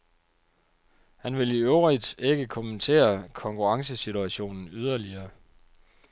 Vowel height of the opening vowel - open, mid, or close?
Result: open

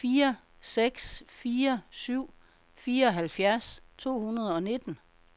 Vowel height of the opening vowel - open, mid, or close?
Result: close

